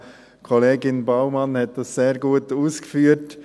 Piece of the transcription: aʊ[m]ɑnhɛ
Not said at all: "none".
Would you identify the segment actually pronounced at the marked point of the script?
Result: m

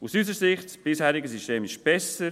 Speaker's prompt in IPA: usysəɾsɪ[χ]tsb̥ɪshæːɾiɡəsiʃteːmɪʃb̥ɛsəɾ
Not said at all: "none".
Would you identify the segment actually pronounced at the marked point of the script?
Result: χ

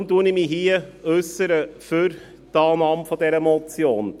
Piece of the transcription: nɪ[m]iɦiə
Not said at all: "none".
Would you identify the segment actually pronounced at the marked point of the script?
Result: m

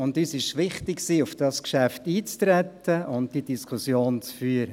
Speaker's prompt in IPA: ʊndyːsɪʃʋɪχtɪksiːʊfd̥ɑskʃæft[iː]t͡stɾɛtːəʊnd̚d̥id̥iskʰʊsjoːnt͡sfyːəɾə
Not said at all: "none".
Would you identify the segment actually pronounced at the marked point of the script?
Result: iː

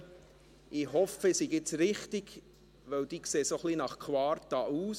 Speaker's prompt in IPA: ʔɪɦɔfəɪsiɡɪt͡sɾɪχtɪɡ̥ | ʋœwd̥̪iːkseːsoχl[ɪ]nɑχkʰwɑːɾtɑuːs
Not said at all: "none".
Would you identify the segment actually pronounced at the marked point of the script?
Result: i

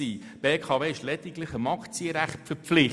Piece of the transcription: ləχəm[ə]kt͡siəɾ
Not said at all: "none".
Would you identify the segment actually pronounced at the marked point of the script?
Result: ɑ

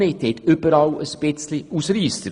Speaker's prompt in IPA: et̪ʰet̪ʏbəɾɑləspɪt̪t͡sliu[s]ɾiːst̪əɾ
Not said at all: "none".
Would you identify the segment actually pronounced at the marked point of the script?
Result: s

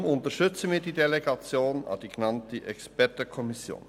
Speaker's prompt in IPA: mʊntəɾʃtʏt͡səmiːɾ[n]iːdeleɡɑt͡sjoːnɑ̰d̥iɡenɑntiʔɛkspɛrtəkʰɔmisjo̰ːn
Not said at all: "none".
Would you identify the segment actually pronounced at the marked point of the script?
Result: d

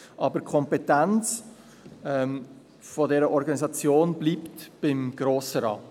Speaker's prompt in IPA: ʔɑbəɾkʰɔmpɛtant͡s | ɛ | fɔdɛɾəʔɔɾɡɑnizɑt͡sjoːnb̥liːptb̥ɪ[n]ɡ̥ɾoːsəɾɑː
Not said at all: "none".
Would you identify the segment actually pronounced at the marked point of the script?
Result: m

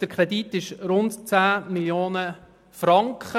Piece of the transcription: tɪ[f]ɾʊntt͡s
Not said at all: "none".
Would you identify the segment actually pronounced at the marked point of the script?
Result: ʃ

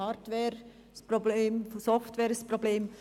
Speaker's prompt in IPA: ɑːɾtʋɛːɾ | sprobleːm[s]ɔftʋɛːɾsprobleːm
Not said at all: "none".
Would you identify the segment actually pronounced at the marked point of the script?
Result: s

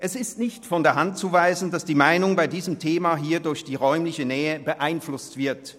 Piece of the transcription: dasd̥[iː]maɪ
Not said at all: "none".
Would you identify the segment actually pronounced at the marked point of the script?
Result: iː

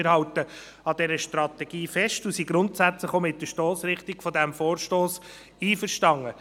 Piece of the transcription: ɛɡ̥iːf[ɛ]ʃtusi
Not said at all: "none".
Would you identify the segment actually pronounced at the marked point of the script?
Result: ɛ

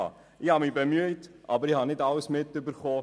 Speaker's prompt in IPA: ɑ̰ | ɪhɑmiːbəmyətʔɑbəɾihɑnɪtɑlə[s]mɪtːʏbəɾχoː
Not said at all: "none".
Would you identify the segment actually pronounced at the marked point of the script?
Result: s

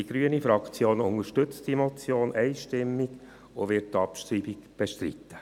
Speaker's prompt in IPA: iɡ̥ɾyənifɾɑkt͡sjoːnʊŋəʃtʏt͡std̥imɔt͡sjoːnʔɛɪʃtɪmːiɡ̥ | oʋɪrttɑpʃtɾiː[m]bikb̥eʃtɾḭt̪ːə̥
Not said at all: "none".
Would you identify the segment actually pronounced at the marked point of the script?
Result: none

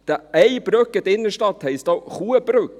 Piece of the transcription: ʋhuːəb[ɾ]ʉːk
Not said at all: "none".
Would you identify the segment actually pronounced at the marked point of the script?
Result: ɾ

